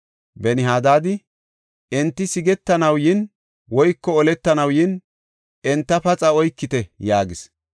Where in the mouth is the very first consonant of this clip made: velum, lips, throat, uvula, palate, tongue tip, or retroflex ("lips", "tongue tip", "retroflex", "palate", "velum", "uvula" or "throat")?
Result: lips